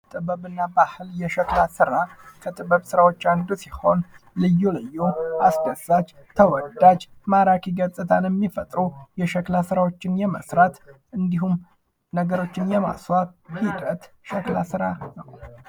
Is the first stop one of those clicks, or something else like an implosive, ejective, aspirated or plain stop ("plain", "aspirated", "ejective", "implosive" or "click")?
ejective